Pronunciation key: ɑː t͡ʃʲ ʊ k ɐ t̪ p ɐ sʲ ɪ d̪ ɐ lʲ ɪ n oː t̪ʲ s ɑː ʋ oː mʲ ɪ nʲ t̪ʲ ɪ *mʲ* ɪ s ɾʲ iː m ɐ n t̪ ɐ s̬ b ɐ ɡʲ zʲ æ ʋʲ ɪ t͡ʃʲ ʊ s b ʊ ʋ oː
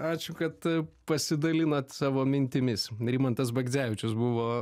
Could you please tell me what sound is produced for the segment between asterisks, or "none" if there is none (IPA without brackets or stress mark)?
mʲ